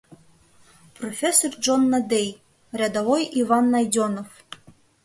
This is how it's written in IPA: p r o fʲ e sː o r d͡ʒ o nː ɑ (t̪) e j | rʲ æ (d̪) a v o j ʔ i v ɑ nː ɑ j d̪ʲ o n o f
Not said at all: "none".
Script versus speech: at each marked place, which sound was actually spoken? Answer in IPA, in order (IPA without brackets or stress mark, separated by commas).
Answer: d̪, d̪